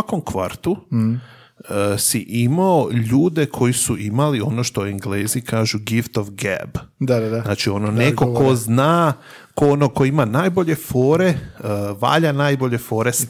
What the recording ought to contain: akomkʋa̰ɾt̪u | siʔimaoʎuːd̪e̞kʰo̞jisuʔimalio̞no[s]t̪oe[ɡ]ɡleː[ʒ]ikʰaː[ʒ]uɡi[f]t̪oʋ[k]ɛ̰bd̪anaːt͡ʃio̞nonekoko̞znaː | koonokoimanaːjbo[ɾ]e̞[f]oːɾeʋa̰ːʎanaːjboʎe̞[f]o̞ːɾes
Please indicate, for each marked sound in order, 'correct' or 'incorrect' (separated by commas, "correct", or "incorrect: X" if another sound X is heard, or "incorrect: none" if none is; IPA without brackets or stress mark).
incorrect: ʃ, incorrect: ŋ, incorrect: z, correct, correct, incorrect: ɡ, incorrect: ʎ, correct, correct